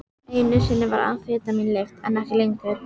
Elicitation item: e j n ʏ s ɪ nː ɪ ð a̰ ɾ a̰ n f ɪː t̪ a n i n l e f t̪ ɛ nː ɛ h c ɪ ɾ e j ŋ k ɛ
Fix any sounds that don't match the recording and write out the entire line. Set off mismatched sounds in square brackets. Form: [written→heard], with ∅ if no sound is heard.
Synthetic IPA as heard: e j n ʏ s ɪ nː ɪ [ð→v] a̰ ɾ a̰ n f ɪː t̪ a [n→m] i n l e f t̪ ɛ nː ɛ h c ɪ [ɾ→l] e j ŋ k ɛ